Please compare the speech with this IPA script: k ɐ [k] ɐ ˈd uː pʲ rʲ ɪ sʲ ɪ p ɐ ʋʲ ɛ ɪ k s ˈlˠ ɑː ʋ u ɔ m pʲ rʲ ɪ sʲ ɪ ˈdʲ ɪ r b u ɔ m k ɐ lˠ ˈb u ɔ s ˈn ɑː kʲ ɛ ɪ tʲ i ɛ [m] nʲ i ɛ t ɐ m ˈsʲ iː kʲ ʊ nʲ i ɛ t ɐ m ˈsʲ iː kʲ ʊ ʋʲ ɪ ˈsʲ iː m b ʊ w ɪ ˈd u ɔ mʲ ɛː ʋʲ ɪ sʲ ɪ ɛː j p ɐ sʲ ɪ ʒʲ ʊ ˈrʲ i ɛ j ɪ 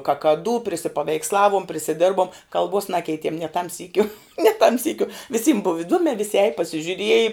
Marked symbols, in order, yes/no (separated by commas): yes, yes